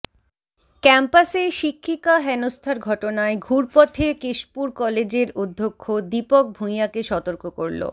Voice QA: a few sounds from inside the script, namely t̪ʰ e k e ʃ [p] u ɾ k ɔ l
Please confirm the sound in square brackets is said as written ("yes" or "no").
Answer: yes